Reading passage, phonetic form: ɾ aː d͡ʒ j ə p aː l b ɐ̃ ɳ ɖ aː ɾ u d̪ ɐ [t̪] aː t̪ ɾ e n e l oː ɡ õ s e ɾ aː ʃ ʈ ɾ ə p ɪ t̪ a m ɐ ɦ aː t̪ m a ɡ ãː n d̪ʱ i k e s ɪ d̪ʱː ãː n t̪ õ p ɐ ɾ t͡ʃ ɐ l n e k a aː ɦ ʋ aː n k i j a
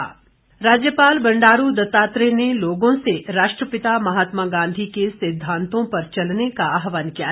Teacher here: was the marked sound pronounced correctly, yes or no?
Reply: yes